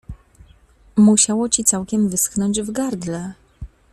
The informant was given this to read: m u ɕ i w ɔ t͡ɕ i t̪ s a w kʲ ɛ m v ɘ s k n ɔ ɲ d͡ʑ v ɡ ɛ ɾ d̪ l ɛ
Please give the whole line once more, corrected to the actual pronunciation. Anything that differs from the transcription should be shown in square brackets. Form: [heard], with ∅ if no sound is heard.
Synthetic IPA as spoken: m u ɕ [a] w ɔ t͡ɕ i t̪ s a w kʲ ɛ m v ɘ s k n ɔ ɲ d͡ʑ v ɡ [a] ɾ d̪ l ɛ